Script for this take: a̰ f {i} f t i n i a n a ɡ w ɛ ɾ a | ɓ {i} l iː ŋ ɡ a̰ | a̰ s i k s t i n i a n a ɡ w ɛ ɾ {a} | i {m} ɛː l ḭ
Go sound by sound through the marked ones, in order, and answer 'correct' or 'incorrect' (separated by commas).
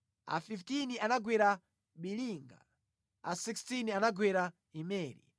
correct, correct, correct, correct